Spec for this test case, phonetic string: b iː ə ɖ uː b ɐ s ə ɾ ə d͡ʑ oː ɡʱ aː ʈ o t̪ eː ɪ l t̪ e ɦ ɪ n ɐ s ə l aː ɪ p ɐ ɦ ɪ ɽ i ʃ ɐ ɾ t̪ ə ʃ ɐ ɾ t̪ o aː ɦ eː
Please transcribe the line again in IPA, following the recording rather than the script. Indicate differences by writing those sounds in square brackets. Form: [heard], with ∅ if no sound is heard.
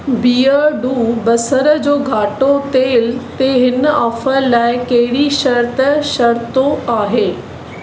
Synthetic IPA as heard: b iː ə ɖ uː b ɐ s ə ɾ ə d͡ʑ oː ɡʱ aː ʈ o t̪ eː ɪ l t̪ e ɦ ɪ n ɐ [f] ə l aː ɪ [k] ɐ ɦ ɪ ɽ i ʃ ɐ ɾ t̪ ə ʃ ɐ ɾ t̪ o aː ɦ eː